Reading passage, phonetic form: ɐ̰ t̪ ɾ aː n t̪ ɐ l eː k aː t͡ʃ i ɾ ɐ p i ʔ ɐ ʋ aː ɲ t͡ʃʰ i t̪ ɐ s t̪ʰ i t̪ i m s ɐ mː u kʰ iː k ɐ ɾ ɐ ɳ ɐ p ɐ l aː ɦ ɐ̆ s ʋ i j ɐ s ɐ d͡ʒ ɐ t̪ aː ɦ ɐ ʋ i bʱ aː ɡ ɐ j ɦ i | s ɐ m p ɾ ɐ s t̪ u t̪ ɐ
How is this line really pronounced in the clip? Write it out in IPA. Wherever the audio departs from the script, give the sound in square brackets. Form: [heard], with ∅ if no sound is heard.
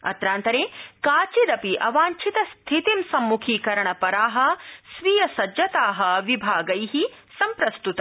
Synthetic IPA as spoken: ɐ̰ t̪ ɾ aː n t̪ ɐ [ɾ] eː k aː t͡ʃ i ɾ ɐ p i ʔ ɐ ʋ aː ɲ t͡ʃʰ i t̪ ɐ s t̪ʰ i t̪ i m s ɐ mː u kʰ iː k ɐ ɾ ɐ ɳ ɐ p ɐ [ɾ] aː ɦ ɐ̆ s ʋ i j ɐ s ɐ d͡ʒ ɐ t̪ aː ɦ ɐ ʋ i bʱ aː ɡ ɐ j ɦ i | s ɐ m p ɾ ɐ s t̪ u t̪ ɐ